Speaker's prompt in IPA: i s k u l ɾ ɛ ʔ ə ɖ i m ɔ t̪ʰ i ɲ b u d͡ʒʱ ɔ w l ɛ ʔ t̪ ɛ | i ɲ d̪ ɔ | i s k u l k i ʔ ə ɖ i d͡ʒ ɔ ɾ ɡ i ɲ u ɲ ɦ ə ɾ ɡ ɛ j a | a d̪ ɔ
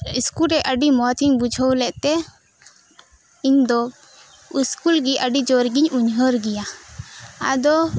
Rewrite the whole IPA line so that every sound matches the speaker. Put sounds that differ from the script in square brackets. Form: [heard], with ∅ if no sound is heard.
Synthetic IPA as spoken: i s k u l ɾ ɛ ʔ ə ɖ i m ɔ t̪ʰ i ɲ b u d͡ʒʱ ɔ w l ɛ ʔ t̪ ɛ | i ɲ d̪ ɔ | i s k u l [ɡ] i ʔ ə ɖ i d͡ʒ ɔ ɾ ɡ i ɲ u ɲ ɦ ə ɾ ɡ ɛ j a | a d̪ ɔ